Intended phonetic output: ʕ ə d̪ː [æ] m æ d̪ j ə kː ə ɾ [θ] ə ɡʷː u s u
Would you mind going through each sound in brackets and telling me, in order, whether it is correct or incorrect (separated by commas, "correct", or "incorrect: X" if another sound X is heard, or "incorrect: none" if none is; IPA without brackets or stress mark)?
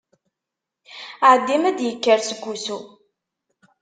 incorrect: i, incorrect: s